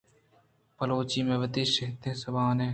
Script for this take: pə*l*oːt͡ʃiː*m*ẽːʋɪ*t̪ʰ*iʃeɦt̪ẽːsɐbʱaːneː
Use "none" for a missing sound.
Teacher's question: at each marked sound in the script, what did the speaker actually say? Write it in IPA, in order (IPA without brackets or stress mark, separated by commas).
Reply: l, m, t̪